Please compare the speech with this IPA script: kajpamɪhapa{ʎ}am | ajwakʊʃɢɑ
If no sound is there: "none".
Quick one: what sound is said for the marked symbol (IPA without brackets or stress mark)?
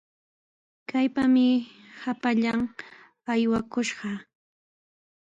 ʎ